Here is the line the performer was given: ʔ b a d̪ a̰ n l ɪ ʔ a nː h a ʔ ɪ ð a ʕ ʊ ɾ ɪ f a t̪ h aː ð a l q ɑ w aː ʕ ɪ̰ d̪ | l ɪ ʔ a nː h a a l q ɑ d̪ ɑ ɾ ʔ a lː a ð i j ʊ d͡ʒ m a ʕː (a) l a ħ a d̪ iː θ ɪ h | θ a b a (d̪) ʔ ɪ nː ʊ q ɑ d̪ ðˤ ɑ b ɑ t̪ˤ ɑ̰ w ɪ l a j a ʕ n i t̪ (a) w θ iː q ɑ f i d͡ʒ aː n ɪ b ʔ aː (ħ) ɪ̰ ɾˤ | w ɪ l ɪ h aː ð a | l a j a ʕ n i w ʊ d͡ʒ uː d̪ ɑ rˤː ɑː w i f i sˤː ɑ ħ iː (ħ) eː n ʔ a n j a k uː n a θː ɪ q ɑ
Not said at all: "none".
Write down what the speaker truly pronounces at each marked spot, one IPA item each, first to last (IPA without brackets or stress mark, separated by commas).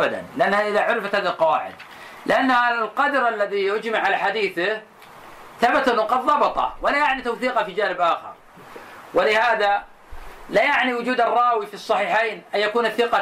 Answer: a, t̪, a, x, ħ